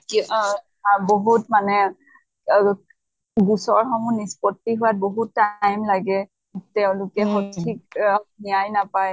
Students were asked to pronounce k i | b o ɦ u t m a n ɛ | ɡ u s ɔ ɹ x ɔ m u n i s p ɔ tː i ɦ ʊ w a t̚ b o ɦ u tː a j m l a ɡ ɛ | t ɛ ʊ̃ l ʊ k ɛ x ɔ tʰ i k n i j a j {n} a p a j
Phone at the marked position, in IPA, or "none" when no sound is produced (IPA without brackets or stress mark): n